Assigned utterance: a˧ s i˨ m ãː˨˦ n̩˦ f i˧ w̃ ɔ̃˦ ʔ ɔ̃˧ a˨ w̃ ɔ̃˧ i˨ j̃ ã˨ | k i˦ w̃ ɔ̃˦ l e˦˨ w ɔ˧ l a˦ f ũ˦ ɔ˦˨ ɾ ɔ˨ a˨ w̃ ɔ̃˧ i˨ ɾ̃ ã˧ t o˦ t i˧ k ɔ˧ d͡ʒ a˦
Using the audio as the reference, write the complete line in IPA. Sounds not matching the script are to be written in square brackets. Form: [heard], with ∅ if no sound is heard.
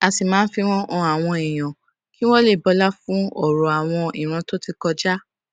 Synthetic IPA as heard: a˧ s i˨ m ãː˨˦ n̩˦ f i˧ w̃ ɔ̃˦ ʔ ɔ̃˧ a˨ w̃ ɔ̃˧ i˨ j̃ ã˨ | k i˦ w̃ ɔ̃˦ l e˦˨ [b] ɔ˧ l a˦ f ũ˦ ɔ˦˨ ɾ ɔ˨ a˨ w̃ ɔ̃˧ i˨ ɾ̃ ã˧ t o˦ t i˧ k ɔ˧ d͡ʒ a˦